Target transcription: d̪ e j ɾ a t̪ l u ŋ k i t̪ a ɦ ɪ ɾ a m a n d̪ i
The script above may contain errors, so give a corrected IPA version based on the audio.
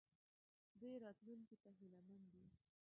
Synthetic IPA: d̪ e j ɾ ɑ t̪ l u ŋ k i t̪ a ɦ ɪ l a m a n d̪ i